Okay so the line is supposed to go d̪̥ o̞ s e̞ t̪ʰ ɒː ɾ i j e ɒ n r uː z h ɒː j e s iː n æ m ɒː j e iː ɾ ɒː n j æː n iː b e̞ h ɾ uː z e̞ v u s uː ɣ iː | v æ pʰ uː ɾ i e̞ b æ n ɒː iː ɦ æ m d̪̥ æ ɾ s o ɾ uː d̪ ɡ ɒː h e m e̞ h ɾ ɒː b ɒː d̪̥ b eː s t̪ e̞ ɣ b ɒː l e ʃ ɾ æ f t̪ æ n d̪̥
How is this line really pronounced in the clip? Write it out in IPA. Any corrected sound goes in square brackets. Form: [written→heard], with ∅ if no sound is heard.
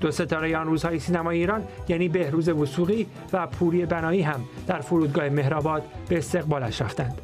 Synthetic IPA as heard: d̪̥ o̞ s e̞ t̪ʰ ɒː ɾ [i→e] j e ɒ n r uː z h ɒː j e s iː n æ m ɒː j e iː ɾ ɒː n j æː n iː b e̞ h ɾ uː z e̞ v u s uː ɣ iː | v æ pʰ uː ɾ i e̞ b æ n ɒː iː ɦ æ m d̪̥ æ ɾ [s→f] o ɾ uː d̪ ɡ ɒː h e m e̞ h ɾ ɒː b ɒː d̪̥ b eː s t̪ e̞ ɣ b ɒː l [e→æ] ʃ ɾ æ f t̪ æ n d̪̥